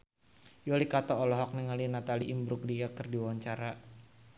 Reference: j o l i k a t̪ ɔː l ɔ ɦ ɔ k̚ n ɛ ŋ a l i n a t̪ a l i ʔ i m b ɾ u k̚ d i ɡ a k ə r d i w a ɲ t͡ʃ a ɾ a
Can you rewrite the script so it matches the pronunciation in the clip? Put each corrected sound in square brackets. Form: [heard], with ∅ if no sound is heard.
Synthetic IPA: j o l i k a t̪ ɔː l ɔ ɦ ɔ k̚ n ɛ ŋ a l i n a t̪ a l i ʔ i m b ɾ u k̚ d i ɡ a k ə r d i w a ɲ t͡ʃ a ɾ a